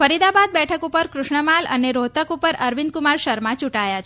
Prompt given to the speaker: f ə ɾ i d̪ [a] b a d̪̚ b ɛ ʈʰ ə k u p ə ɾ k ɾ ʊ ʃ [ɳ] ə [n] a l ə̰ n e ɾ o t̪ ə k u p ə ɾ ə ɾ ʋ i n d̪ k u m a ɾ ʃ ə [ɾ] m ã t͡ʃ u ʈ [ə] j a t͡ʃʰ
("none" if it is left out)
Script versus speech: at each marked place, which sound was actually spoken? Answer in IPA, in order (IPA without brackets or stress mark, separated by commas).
a, ɳ, m, ɾ, a